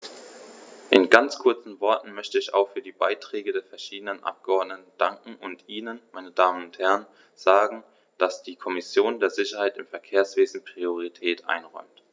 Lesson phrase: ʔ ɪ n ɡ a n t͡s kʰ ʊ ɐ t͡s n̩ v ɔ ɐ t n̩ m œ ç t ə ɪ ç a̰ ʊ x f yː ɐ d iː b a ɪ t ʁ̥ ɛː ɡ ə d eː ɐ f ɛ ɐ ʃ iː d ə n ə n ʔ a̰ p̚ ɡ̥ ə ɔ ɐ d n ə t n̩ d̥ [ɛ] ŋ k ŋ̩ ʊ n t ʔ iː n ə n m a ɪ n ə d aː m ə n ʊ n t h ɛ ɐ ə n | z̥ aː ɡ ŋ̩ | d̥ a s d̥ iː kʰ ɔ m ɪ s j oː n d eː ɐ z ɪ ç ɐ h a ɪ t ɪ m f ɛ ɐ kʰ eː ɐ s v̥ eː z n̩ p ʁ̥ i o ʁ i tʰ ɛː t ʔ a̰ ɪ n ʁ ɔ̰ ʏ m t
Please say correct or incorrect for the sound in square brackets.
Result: incorrect